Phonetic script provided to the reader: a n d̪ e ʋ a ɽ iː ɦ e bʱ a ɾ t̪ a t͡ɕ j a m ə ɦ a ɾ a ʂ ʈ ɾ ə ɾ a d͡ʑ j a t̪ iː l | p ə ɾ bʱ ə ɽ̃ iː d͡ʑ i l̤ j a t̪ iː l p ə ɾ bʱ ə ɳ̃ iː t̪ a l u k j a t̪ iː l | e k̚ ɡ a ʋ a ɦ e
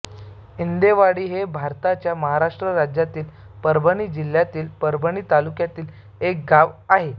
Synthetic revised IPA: i n d̪ e ʋ a ɽ iː ɦ e bʱ a ɾ t̪ a t͡ɕ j a m ə ɦ a ɾ a ʂ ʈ ɾ ə ɾ a d͡ʑ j a t̪ iː l | p ə ɾ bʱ ə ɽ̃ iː d͡ʑ i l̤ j a t̪ iː l p ə ɾ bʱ ə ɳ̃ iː t̪ a l u k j a t̪ iː l | e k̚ ɡ a ʋ a ɦ e